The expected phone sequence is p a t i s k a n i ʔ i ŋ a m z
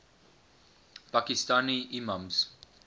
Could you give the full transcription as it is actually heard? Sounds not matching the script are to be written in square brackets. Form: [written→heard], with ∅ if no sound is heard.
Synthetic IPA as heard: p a [t→k] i s [k→t] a n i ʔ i [ŋ→m] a m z